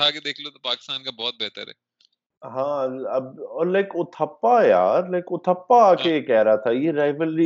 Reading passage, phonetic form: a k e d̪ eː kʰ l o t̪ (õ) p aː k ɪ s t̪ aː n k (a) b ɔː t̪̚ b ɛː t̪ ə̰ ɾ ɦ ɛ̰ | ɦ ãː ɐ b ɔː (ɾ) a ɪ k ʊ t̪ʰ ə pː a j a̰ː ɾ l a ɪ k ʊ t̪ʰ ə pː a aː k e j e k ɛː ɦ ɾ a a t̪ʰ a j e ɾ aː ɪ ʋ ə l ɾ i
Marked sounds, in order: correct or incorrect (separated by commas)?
incorrect, correct, incorrect